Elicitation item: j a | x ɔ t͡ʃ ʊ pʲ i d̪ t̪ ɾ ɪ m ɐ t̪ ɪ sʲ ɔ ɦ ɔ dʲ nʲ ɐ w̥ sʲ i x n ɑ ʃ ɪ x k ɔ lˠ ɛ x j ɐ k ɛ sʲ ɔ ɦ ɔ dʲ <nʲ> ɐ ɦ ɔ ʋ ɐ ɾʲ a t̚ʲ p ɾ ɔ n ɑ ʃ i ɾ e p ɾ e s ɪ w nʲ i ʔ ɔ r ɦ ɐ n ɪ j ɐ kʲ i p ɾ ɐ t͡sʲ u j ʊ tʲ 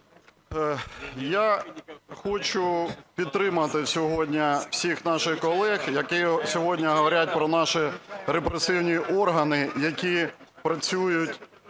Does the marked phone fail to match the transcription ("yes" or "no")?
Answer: no